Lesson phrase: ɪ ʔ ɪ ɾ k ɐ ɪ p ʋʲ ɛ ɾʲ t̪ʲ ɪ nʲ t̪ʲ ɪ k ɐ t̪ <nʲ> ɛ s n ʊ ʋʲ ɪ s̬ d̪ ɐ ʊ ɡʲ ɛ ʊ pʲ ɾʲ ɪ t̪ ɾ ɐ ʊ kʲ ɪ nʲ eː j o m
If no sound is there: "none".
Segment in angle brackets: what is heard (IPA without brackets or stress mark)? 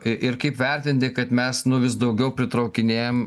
mʲ